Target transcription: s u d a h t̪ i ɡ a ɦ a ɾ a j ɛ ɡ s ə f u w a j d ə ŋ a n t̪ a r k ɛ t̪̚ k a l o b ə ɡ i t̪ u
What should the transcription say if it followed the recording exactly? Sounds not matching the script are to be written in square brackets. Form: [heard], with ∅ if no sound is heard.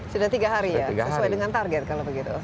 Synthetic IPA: s u d a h t̪ i ɡ a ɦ a ɾ [i] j [a] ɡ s ə [s] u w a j d ə ŋ a n t̪ a r [ɡ] ɛ t̪̚ k a l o b ə ɡ i t̪ u